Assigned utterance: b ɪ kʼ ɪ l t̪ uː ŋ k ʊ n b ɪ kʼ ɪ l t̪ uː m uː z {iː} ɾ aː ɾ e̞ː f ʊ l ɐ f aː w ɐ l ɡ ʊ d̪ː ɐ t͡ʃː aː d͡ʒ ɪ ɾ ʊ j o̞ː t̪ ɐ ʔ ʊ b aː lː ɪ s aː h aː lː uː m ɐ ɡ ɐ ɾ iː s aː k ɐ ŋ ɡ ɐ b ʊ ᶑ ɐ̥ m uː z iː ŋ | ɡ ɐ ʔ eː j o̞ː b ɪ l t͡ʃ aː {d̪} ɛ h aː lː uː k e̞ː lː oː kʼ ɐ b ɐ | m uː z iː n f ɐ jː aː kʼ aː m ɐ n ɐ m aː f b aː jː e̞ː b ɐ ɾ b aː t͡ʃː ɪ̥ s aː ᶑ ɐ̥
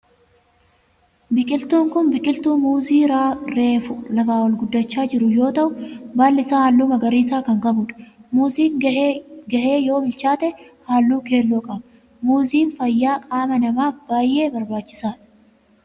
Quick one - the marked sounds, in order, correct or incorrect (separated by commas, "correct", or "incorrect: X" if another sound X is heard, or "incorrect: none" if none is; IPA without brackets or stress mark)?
correct, incorrect: t̪